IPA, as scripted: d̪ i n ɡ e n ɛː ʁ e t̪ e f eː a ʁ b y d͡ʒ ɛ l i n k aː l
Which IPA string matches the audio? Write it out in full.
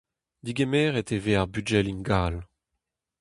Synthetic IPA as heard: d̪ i ɡ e m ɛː ʁ e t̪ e v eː a ʁ b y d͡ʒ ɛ l i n ɡ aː l